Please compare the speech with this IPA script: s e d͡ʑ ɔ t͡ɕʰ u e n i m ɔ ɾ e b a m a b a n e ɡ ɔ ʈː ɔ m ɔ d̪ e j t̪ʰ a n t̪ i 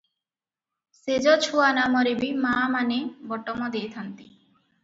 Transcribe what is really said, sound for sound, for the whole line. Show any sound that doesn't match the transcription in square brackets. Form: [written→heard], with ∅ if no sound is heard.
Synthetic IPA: s e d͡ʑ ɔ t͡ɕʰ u [e→a] n [i→a] m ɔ ɾ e b [a→i] m a [b→m] a n e [ɡ→b] ɔ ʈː ɔ m ɔ d̪ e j t̪ʰ a n t̪ i